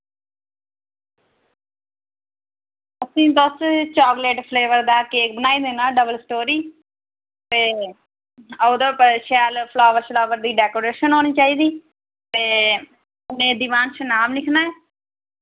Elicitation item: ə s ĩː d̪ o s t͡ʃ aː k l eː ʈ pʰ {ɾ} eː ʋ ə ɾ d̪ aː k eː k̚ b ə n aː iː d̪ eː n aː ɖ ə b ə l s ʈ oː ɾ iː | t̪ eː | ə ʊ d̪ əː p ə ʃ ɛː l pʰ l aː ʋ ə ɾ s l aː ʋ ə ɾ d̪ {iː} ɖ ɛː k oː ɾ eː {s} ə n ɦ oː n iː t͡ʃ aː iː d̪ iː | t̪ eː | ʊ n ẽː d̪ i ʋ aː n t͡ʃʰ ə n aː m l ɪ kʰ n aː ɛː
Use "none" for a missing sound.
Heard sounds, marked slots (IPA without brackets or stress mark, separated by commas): l, iː, ʃ